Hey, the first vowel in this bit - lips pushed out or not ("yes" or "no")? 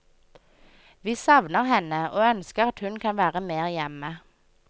no